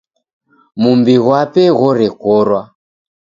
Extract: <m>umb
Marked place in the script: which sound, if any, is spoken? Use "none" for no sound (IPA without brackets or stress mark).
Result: m